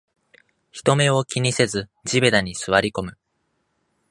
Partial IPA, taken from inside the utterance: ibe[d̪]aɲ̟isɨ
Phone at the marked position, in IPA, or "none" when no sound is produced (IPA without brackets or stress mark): d̪